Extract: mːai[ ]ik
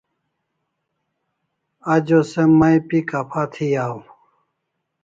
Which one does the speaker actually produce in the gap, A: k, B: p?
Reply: B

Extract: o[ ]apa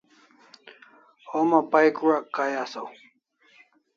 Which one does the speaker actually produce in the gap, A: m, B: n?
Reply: A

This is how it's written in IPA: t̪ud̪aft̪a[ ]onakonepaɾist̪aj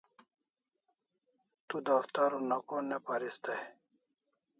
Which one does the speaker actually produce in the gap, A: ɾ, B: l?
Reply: A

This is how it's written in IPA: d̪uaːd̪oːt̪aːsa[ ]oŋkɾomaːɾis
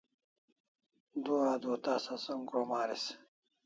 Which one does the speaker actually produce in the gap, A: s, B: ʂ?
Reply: A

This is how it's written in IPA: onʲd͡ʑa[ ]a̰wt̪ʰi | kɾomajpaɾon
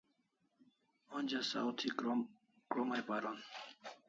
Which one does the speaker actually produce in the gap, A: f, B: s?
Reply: B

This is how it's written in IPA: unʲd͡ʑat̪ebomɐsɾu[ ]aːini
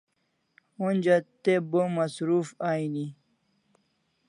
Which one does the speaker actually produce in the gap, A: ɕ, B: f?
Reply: B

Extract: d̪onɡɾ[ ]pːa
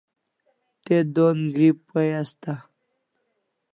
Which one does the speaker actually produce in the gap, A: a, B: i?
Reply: B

